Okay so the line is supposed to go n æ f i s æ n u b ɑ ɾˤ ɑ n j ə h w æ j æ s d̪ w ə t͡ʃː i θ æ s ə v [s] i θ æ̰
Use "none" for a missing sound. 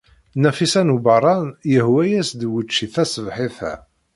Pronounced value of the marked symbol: ħ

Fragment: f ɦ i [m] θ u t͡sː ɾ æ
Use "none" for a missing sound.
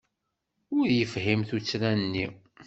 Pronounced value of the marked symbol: m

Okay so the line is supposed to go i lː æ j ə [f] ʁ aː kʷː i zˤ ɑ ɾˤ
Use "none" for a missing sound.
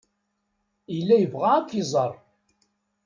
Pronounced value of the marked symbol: v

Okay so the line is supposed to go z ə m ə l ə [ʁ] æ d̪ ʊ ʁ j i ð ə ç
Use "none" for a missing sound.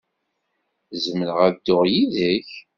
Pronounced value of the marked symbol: ʁ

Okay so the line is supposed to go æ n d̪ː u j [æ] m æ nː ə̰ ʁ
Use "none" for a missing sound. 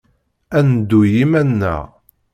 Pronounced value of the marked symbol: i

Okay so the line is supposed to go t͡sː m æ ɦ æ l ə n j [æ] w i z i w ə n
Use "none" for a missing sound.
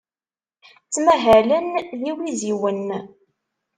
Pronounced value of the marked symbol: i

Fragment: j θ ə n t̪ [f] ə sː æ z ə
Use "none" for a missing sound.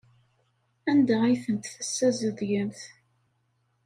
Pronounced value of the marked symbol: θ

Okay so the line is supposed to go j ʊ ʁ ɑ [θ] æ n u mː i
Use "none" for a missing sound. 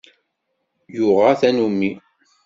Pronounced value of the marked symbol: θ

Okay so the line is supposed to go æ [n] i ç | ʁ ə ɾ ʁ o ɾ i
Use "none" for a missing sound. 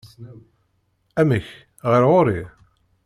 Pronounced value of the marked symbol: m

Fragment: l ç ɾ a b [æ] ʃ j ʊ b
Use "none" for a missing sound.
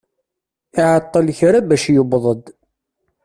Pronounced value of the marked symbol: æ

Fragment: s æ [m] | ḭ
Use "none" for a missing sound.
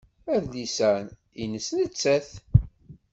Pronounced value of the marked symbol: n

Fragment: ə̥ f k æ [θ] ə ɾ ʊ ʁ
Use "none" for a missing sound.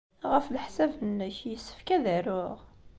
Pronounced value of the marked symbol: ð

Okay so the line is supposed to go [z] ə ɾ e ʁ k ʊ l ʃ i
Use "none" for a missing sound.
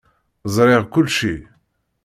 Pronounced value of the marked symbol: z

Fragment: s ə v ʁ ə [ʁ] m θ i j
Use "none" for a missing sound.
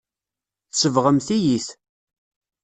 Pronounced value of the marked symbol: none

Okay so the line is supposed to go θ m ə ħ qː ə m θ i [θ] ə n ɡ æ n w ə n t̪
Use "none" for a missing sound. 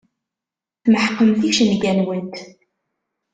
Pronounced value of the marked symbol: ʃ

